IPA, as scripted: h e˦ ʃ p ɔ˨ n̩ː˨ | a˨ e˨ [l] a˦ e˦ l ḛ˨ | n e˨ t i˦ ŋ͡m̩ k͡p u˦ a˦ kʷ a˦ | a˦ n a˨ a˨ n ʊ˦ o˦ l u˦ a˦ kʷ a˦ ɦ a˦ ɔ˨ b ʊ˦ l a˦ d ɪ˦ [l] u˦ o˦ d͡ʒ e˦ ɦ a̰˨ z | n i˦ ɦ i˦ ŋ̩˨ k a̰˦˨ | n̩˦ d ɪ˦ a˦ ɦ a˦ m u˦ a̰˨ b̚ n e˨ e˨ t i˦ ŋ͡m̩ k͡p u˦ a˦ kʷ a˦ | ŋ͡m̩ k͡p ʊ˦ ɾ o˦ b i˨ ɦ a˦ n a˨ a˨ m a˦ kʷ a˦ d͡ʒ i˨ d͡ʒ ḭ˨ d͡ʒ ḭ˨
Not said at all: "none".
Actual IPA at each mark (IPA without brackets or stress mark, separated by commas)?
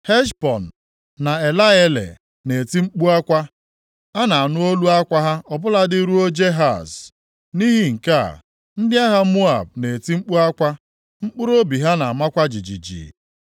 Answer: l, ɾ